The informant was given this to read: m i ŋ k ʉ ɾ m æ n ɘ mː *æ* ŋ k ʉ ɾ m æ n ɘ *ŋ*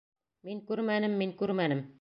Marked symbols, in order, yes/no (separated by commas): no, no